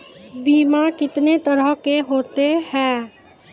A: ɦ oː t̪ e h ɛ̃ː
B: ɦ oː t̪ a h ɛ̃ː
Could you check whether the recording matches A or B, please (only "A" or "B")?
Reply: A